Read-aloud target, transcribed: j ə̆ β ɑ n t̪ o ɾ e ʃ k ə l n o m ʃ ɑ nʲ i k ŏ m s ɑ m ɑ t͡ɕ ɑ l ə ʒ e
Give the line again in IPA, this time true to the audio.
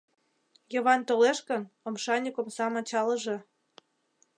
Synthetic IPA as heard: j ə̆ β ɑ n t̪ o l e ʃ k ə n o m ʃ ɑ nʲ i k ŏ m s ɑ m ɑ t͡ɕ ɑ l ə ʒ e